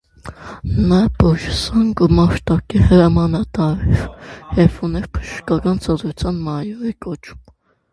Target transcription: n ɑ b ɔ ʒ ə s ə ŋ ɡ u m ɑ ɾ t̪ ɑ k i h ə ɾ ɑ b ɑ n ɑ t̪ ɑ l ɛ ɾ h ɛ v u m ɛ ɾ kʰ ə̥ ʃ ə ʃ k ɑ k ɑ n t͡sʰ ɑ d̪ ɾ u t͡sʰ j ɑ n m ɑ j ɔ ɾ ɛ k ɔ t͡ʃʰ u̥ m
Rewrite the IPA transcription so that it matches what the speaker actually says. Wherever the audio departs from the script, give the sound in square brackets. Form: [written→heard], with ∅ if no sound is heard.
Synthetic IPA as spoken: n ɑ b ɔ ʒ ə s [ə→ɑ] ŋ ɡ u m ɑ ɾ t̪ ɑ k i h ə ɾ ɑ [b→m] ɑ n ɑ t̪ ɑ [l→ɾ] ɛ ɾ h ɛ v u [m→n] ɛ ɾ [kʰ→pʰ] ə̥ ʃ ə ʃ k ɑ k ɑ n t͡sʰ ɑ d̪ ɾ u t͡sʰ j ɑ n m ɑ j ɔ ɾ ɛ k ɔ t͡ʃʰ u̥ m

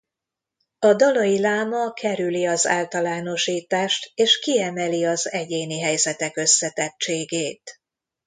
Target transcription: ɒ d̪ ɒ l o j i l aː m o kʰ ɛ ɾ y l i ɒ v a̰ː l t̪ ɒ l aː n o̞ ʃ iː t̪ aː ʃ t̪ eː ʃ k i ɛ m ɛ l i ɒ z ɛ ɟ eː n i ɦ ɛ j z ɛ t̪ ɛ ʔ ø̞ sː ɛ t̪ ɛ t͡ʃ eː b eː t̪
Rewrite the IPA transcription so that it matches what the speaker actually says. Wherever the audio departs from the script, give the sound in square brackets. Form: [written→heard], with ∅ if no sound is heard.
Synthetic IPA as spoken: ɒ d̪ ɒ l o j i l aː m [o→ɒ] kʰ ɛ ɾ y l i ɒ [v→z] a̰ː l t̪ ɒ l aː n o̞ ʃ iː t̪ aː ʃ t̪ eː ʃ k i ɛ m ɛ l i ɒ z ɛ ɟ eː n i ɦ ɛ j z ɛ t̪ ɛ [ʔ→k] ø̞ sː ɛ t̪ ɛ t͡ʃ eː [b→ɡ] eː t̪

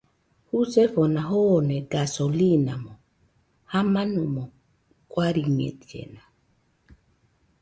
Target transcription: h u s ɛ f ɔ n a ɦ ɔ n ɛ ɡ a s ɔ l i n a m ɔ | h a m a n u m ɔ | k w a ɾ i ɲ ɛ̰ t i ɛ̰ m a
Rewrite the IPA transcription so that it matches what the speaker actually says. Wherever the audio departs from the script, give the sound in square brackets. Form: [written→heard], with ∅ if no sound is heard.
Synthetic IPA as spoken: h u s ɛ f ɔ n a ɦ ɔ n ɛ ɡ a s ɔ l i n a m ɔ | h a m a n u m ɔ | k w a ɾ i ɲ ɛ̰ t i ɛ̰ [m→n] a

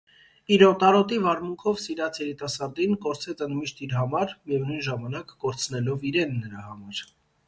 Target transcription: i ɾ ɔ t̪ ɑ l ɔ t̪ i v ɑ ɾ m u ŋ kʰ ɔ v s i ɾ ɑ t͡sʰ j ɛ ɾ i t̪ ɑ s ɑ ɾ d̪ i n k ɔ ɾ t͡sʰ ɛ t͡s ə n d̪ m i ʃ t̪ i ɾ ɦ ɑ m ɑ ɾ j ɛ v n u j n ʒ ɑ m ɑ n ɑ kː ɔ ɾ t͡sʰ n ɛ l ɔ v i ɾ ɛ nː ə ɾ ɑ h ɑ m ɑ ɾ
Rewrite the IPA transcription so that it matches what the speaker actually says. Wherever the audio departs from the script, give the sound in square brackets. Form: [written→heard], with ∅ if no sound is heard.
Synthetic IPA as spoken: i ɾ ɔ t̪ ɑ [l→ɾ] ɔ t̪ i v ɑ ɾ m u ŋ kʰ ɔ v s i ɾ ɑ t͡sʰ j ɛ ɾ i t̪ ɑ s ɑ ɾ d̪ i n k ɔ ɾ t͡sʰ ɛ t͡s ə n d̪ m i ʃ t̪ i ɾ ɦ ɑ m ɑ ɾ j ɛ v n u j n ʒ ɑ m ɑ n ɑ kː ɔ ɾ t͡sʰ n ɛ l ɔ v i ɾ ɛ nː ə ɾ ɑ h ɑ m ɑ ɾ

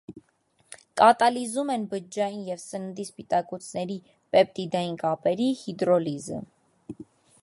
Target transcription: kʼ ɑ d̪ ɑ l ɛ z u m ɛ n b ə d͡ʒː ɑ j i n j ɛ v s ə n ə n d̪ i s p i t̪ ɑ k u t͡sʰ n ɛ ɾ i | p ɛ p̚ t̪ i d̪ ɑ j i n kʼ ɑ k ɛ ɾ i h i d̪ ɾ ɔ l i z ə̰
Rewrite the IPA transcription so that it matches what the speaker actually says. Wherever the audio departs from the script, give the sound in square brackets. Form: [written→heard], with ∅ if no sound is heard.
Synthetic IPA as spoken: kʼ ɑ [d̪→t̪] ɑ l [ɛ→i] z u m ɛ n b ə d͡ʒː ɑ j i n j ɛ v s ə n ə n d̪ i s p i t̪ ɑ k u t͡sʰ n ɛ ɾ i | p ɛ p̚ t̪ i d̪ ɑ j i n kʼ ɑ [k→p] ɛ ɾ i h i d̪ ɾ ɔ l i z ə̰

